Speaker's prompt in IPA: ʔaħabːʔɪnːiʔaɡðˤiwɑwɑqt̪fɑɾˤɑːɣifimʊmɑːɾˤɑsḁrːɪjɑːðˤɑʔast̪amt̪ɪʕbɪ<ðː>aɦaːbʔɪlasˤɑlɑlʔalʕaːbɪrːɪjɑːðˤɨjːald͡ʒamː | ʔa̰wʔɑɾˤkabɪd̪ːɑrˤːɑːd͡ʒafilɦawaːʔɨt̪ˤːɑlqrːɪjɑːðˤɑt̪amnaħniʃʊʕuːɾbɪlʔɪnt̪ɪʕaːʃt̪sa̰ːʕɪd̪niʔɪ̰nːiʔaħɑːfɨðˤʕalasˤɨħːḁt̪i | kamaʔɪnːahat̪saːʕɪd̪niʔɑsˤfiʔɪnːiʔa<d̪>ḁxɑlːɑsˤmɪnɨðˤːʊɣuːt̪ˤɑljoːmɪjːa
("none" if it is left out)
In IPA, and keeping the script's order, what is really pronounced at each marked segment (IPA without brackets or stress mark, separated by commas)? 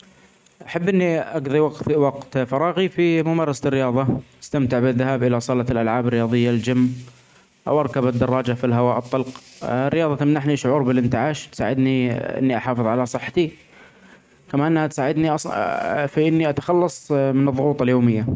ðː, t̪